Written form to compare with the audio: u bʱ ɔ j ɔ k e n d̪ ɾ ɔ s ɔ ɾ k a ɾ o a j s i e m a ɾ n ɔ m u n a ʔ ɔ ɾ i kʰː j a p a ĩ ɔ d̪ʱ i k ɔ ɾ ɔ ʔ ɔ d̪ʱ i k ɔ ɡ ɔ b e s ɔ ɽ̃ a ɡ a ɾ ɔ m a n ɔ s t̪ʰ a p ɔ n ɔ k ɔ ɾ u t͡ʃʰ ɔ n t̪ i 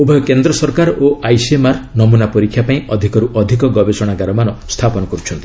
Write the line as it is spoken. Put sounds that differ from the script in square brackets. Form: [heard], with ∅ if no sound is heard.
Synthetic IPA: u bʱ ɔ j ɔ k e n d̪ ɾ ɔ s ɔ ɾ k a ɾ o a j s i e m a ɾ n ɔ m u n a [p] ɔ ɾ i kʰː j a p a ĩ ɔ d̪ʱ i k ɔ ɾ [u] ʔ ɔ d̪ʱ i k ɔ ɡ ɔ b e s ɔ ɽ̃ a ɡ a ɾ ɔ m a n ɔ s t̪ʰ a p ɔ n ɔ k ɔ ɾ u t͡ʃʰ ɔ n t̪ i